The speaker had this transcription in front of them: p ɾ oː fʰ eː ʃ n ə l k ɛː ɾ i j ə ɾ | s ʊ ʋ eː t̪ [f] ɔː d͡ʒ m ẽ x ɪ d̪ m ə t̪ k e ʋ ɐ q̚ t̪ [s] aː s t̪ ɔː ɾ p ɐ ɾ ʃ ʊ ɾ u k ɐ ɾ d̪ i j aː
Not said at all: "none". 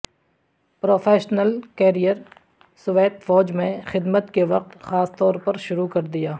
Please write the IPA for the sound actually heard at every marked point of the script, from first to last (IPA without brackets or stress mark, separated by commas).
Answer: f, x